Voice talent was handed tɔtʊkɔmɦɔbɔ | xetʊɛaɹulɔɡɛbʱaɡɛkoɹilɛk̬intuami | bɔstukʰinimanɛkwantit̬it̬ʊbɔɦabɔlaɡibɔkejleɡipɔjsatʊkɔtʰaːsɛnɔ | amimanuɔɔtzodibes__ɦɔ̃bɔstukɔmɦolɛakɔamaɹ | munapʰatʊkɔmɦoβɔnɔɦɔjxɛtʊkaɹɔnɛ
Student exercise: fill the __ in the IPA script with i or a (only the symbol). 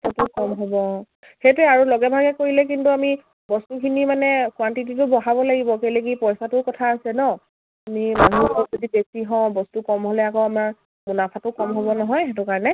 i